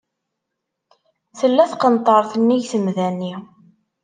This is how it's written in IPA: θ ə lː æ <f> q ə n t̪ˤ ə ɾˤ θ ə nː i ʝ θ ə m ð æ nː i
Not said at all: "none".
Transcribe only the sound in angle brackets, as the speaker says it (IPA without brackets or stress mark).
θ